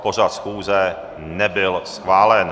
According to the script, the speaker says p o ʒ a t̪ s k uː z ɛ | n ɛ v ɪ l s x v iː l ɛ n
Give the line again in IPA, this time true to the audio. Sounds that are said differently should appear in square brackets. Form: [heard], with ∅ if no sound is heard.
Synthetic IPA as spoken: p o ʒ a t̪ s [x] uː z ɛ | n ɛ [b] ɪ l s x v [aː] l ɛ n